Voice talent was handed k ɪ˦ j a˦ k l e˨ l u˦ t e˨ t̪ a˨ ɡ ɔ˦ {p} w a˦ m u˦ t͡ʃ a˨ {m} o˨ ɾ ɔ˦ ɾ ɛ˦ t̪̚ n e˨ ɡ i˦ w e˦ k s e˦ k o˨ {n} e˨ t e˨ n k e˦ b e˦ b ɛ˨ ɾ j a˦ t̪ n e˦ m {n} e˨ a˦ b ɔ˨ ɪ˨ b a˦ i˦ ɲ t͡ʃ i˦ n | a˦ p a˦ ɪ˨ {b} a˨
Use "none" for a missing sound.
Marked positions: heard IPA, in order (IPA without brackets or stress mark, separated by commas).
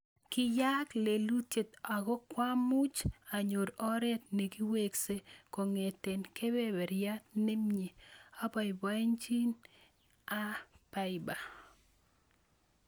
k, ɲ, ŋ, ɲ, b